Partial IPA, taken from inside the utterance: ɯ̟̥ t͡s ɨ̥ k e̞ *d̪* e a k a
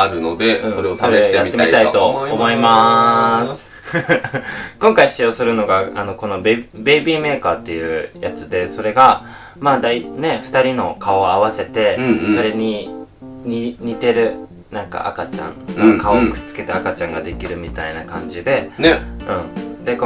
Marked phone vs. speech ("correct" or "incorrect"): incorrect